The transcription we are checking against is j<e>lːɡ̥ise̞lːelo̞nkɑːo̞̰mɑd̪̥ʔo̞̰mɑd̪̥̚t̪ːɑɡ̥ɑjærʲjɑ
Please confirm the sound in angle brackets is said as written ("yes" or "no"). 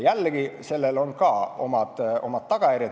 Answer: no